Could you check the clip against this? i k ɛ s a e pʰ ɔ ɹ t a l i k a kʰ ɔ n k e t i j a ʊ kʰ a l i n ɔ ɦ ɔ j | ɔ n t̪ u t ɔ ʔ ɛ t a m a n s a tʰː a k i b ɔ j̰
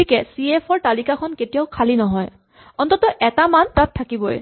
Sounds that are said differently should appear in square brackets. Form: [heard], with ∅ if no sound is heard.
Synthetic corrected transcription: i k ɛ s [i] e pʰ ɔ ɹ t a l i k a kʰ ɔ n k e t i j a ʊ kʰ a l i n ɔ ɦ ɔ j | ɔ n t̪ [ɔ] t ɔ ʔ ɛ t a m a n [t] a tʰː a k i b ɔ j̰